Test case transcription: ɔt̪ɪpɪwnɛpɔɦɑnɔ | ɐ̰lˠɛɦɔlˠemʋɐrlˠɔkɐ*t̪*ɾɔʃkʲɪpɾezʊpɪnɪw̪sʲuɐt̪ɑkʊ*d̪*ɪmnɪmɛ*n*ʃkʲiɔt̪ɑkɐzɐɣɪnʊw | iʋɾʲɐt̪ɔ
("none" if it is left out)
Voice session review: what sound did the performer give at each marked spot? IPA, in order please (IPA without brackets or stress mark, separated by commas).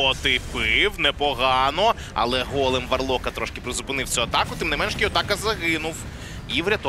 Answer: t̪, t̪, n